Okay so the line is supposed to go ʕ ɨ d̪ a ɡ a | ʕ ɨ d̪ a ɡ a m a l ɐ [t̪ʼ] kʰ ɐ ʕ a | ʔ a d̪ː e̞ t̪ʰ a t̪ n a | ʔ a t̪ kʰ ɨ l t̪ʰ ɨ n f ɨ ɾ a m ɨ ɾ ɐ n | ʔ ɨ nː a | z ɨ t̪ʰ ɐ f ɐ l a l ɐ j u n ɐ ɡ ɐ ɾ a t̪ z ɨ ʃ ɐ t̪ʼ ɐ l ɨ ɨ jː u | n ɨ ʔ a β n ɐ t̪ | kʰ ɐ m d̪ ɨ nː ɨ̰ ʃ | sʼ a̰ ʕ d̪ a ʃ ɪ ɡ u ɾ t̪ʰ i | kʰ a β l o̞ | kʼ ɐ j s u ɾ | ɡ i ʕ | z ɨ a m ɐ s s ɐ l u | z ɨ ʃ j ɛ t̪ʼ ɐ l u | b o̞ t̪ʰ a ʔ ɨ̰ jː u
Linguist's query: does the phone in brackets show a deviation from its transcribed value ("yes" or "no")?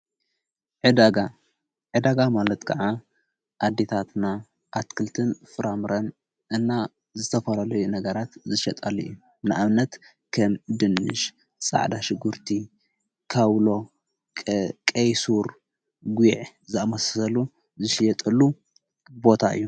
yes